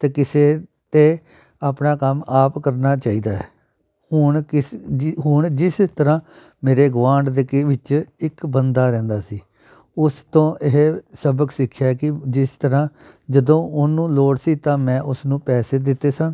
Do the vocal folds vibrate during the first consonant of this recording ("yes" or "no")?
no